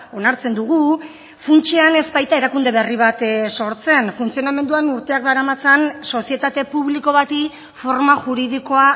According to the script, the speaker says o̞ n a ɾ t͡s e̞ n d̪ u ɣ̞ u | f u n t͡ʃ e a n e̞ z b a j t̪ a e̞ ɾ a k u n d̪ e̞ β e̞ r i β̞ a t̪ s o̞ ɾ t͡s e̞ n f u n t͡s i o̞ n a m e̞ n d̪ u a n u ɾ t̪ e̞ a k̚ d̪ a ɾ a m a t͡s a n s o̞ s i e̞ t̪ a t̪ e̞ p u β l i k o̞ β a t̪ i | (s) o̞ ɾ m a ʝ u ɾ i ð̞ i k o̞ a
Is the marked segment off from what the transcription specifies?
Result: yes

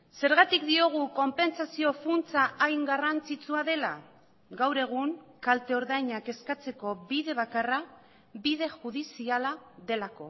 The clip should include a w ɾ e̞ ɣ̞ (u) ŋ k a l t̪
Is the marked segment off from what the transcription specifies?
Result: no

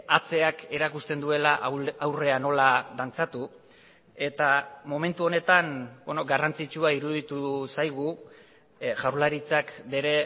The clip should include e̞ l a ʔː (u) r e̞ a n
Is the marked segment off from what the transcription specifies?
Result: yes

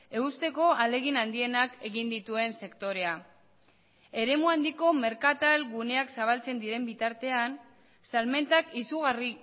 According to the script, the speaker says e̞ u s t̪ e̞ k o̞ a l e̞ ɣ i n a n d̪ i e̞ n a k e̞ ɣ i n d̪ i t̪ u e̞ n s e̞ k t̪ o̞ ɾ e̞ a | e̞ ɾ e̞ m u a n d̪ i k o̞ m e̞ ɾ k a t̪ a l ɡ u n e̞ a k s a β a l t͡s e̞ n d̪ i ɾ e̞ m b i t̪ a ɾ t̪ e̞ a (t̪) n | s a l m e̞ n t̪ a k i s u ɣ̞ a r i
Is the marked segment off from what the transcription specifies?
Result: yes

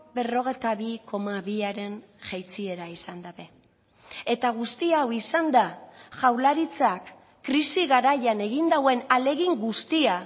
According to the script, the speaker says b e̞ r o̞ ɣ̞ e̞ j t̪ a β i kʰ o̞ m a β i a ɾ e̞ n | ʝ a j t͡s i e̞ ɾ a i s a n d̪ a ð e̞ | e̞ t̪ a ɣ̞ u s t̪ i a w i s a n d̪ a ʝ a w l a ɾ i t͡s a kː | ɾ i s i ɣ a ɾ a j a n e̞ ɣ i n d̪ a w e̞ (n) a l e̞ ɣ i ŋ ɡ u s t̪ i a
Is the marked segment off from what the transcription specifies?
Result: no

